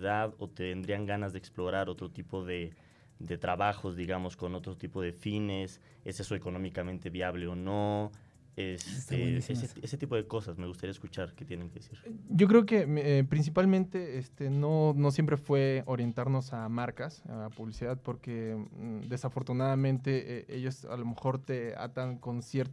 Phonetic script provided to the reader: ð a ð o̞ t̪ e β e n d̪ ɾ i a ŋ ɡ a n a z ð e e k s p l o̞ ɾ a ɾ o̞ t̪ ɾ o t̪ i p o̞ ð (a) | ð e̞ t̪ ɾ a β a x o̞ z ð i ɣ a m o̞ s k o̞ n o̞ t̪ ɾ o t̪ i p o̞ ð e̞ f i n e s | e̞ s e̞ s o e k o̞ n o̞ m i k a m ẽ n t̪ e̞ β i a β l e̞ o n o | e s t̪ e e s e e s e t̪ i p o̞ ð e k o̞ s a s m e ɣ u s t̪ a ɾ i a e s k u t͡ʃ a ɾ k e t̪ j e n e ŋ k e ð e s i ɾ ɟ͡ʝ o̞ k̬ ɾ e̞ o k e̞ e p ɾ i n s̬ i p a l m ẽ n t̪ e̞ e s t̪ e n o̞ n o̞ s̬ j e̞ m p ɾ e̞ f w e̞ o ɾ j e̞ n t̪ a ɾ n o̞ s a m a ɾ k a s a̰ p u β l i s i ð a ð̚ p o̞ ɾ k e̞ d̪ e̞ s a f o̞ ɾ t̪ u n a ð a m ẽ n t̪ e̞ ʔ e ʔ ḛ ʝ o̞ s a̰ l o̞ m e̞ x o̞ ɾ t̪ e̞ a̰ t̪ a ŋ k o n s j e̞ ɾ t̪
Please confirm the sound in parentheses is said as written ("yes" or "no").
no